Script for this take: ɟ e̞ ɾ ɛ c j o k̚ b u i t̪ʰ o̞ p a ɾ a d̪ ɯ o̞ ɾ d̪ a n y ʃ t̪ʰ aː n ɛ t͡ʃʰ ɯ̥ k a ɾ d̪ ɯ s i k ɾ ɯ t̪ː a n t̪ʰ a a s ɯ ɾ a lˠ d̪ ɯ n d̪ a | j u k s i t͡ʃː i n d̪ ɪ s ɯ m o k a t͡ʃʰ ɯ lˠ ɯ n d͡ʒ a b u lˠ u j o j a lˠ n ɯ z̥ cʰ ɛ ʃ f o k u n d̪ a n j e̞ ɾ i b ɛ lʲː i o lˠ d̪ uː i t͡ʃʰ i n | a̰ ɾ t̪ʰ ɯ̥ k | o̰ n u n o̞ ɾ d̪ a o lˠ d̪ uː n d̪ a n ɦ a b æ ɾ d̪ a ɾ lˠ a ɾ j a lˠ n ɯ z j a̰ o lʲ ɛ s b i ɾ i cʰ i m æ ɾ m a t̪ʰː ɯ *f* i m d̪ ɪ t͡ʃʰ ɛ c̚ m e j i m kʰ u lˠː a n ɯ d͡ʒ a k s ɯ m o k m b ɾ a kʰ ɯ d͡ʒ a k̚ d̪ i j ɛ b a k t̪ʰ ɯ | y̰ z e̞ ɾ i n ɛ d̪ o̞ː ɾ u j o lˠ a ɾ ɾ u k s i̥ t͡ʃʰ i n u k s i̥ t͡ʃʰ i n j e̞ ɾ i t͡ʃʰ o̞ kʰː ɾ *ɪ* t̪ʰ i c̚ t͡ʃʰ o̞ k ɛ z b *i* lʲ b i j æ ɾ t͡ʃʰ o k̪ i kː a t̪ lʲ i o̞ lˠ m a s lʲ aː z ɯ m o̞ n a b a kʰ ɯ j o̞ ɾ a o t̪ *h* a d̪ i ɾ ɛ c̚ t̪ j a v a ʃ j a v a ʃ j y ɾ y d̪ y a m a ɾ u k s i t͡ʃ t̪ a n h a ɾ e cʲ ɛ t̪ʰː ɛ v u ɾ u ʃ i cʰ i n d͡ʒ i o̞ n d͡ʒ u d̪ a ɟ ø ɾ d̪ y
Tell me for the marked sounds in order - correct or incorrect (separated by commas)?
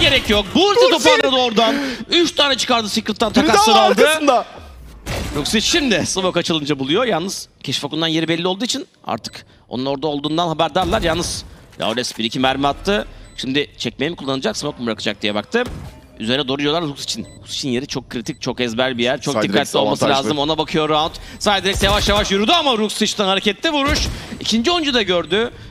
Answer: incorrect, incorrect, incorrect, incorrect